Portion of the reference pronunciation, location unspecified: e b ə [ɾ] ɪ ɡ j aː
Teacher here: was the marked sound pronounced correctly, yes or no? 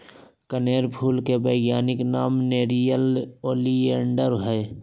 no